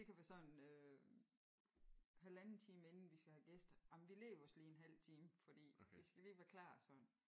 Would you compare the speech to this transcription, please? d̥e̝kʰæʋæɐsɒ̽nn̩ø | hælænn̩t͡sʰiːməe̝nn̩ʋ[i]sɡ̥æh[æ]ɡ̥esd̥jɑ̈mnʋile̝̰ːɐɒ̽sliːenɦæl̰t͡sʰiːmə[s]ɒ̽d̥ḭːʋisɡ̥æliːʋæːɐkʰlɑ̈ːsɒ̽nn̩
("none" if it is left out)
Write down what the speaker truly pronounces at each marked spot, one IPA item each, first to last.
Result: i, æ, f

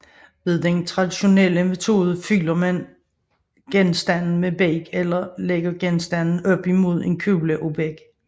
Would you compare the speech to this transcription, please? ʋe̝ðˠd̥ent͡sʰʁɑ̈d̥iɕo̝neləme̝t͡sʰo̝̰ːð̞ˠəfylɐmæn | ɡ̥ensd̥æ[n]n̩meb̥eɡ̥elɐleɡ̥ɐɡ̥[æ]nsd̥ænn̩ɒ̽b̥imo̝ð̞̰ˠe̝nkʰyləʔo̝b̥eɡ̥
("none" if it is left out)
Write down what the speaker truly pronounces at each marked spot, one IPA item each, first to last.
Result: n, e

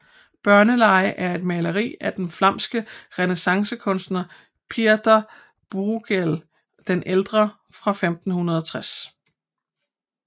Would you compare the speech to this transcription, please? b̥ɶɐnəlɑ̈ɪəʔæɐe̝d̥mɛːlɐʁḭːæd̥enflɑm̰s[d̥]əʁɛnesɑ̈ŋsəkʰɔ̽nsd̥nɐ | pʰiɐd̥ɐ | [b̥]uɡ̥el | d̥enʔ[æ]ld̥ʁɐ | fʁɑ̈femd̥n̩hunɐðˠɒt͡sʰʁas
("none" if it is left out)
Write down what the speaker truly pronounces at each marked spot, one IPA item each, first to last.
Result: ɡ̥, b̥, e

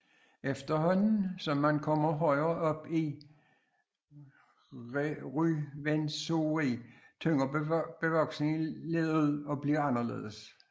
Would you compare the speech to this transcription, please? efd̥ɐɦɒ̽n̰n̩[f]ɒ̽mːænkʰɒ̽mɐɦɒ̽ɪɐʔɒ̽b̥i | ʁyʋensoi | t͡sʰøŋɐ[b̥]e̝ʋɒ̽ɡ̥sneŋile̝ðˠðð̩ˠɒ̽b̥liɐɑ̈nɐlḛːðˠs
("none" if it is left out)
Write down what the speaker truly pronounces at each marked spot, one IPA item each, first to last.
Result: s, b̥

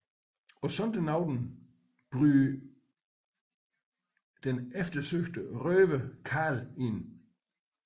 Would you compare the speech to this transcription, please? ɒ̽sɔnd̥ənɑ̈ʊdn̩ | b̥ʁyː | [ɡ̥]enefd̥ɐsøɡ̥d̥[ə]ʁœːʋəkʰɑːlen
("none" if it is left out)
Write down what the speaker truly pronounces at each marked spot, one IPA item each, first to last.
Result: d̥, ə

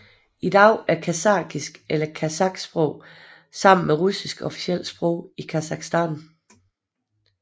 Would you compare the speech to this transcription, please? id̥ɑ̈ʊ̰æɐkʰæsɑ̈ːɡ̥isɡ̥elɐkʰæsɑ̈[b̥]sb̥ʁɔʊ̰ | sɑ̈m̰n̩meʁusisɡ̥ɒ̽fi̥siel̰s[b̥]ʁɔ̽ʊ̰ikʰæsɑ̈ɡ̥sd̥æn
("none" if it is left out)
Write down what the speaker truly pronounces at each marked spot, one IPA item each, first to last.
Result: ɡ̥, b̥

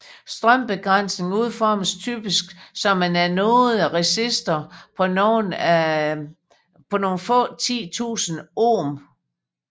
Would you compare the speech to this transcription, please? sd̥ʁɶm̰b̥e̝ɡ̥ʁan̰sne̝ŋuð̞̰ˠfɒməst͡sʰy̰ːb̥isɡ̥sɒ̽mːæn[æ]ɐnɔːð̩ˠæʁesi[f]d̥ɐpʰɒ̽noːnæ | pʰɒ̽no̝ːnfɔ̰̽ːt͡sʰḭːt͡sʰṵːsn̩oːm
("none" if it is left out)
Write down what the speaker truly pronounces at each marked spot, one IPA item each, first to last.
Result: æ, s

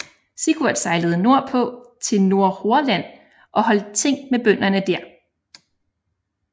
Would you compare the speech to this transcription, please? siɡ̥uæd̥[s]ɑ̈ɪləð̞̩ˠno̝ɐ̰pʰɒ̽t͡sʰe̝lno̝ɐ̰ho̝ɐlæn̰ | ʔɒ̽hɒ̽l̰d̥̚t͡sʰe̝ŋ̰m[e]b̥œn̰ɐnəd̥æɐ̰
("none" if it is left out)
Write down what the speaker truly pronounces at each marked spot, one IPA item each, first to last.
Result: s, e

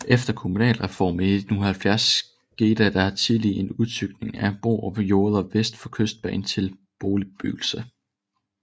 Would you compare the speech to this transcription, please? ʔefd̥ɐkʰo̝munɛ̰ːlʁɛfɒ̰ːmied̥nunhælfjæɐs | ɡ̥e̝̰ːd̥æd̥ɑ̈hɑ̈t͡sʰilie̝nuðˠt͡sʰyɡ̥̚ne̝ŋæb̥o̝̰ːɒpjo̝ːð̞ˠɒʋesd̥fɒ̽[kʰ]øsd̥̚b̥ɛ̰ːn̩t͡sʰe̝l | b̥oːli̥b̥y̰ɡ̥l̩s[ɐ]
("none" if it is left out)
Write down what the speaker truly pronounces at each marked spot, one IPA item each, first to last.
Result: kʰ, ə

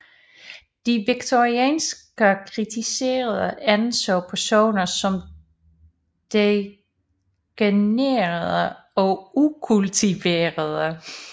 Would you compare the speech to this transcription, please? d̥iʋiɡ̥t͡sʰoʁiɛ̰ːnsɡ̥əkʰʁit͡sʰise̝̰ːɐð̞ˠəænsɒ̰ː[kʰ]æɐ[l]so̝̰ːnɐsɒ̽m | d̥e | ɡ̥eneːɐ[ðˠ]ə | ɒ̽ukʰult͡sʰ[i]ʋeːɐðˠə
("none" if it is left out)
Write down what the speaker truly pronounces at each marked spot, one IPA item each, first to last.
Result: pʰ, none, ðˠ, i

